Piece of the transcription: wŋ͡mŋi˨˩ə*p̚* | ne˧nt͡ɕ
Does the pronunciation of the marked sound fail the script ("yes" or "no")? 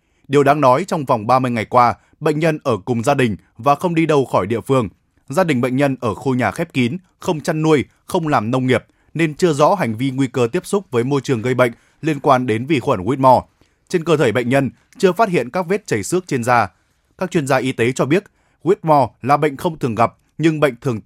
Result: no